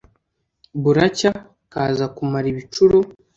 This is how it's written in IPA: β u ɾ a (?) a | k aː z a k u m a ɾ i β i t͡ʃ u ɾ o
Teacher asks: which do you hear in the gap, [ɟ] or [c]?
c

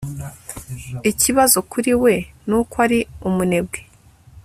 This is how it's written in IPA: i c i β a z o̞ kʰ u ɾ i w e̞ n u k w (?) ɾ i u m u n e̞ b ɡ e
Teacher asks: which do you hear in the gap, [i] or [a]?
a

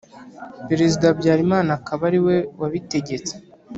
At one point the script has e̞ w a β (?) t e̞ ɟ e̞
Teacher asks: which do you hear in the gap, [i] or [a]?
i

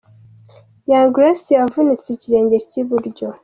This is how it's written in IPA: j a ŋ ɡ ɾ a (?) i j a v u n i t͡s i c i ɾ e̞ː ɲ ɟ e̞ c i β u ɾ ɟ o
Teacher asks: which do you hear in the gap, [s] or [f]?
s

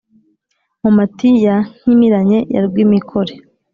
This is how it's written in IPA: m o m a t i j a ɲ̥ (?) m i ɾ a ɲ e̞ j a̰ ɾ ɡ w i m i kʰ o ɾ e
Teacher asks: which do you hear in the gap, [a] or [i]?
i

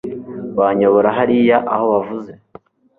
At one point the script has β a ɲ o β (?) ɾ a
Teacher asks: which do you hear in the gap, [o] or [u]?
o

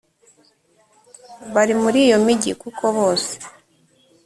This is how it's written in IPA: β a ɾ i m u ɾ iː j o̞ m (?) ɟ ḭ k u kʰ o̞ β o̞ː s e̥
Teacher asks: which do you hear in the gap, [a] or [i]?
i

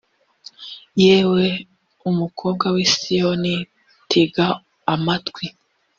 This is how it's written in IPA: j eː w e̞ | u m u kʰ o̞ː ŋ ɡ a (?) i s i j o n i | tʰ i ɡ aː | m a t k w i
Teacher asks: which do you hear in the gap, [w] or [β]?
w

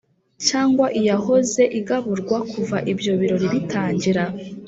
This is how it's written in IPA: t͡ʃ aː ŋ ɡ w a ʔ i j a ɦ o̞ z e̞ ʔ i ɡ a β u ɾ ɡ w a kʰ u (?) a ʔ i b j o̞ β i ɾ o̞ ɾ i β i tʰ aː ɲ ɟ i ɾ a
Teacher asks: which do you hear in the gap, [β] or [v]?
v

